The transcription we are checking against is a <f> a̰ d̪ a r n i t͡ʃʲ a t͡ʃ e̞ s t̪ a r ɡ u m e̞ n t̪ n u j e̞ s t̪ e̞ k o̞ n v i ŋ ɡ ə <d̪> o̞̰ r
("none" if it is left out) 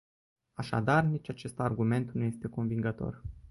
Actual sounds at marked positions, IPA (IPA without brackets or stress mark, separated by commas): ʃ, t̪